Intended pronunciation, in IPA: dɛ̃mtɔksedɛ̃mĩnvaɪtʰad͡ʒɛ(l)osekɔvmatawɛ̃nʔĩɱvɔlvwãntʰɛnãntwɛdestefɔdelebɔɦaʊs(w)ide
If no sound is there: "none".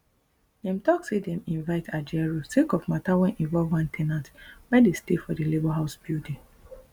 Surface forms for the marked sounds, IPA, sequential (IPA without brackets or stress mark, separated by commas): ɹ, b